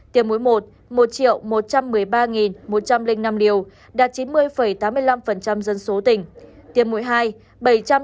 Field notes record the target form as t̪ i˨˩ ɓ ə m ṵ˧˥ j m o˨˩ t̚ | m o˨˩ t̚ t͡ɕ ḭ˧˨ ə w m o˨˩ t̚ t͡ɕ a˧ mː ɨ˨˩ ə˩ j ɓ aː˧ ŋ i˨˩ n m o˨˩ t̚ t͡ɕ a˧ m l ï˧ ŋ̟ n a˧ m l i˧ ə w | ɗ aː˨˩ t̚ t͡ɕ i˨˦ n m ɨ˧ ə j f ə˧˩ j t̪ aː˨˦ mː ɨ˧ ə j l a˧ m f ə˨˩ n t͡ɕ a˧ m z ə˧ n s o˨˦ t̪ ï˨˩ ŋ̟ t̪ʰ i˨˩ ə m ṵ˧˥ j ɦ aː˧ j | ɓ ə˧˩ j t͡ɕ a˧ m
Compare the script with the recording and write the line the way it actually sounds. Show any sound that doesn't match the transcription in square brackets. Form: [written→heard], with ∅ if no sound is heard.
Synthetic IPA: t̪ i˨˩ [ɓ→∅] ə m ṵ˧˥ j m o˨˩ t̚ | m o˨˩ t̚ t͡ɕ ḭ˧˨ ə w m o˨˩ t̚ t͡ɕ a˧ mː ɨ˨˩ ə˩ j ɓ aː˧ ŋ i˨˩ n m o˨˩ t̚ t͡ɕ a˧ m l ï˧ ŋ̟ n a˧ m l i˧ ə w | ɗ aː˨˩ t̚ t͡ɕ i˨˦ n m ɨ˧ ə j f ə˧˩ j t̪ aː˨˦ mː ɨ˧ ə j l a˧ m f ə˨˩ n t͡ɕ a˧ m z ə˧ n s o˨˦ t̪ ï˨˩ ŋ̟ [t̪ʰ→t̪] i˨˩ ə m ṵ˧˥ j ɦ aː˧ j | ɓ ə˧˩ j t͡ɕ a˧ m